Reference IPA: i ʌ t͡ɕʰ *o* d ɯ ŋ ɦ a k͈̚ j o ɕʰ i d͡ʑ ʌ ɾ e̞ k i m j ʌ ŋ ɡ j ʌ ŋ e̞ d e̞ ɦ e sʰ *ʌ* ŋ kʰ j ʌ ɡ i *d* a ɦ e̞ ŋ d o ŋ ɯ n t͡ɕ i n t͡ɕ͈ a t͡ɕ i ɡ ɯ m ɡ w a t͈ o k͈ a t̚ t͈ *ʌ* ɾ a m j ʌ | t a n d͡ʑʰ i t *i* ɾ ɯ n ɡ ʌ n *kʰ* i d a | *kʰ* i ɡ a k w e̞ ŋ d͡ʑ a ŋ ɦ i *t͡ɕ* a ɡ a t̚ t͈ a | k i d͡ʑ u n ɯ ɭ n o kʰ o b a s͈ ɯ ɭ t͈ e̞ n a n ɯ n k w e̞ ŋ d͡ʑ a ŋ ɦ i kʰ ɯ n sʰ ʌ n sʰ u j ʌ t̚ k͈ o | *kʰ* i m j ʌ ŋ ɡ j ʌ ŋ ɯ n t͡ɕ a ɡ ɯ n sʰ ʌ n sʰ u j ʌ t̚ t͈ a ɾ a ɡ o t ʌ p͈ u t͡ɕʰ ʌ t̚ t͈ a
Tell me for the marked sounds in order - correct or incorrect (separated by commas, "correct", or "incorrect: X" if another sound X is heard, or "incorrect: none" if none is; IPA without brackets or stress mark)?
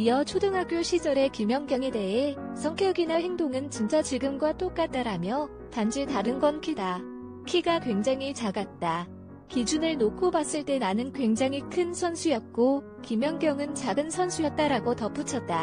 correct, correct, incorrect: n, incorrect: a, incorrect: a, correct, correct, correct, incorrect: k